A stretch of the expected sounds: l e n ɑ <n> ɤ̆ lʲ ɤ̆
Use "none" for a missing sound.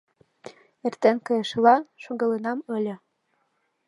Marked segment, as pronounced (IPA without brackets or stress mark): m